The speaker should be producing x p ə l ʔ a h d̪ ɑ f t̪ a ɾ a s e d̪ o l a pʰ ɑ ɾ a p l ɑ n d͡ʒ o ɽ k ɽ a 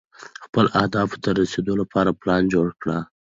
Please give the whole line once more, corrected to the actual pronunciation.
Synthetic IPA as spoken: x p ə l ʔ a h d̪ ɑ f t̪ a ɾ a s e d̪ o l a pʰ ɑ ɾ a p l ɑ n d͡ʒ o ɽ k ɽ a